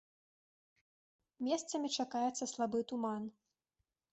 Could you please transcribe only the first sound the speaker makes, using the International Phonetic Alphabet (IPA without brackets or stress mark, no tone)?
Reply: mʲ